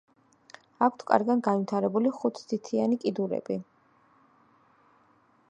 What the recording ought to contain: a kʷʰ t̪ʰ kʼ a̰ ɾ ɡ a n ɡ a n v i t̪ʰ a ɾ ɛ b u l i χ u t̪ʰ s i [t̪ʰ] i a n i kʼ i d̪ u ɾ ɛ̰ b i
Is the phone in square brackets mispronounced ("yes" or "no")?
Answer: no